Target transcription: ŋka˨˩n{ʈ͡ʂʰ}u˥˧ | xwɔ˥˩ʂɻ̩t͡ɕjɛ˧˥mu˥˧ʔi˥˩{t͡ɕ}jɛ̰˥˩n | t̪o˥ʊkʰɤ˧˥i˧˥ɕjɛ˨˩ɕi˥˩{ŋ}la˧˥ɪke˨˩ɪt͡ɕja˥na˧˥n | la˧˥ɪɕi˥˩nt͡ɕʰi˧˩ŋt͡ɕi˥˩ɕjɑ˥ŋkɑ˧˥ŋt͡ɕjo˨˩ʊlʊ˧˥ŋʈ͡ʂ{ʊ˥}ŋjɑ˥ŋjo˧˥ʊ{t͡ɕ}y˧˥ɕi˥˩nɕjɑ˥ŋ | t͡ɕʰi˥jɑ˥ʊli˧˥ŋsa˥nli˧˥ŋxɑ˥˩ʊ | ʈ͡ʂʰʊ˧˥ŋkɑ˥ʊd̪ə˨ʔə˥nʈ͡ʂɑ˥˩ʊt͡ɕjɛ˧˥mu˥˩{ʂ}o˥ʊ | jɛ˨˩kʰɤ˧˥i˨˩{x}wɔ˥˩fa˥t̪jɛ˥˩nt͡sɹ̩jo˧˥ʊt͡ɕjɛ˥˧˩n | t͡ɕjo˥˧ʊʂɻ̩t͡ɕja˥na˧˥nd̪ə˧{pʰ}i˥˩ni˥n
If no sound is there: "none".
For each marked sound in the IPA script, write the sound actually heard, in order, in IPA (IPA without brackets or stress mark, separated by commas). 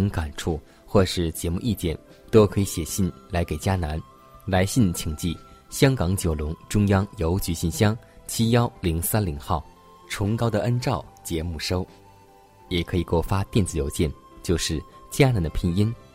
ʈ͡ʂʰ, t͡ɕ, n, ʊ˥, t͡ɕ, ʂ, k, pʰ